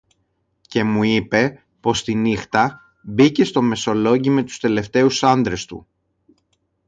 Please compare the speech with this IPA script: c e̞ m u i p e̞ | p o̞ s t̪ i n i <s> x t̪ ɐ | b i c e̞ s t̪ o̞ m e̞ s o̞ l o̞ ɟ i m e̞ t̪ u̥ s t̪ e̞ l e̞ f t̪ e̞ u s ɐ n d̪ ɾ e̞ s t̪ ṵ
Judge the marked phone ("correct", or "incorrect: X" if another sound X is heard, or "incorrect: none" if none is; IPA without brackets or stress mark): incorrect: none